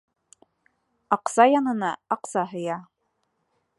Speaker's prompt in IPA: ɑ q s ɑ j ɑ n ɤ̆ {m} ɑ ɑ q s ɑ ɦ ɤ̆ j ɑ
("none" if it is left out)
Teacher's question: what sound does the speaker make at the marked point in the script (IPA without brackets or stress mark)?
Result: n